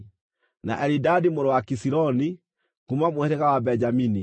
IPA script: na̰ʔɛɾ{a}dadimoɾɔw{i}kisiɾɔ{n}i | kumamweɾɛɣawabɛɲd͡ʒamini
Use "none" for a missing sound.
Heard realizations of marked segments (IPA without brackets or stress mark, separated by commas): i, a, n